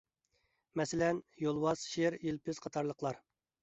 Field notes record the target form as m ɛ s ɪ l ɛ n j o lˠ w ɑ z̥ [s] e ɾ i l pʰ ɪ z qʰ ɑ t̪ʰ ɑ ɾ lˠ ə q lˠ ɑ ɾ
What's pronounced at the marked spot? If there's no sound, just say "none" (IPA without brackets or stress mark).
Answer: ʃ